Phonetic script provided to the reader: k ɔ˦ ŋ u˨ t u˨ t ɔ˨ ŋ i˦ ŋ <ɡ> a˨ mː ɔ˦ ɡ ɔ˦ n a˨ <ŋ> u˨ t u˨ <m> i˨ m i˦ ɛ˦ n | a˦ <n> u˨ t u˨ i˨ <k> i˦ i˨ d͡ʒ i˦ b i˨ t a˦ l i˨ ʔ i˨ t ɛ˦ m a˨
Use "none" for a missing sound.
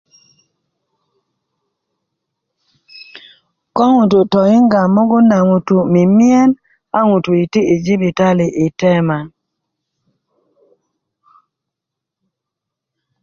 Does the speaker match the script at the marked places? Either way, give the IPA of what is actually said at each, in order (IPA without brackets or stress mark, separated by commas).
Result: ɡ, ŋ, m, ŋ, t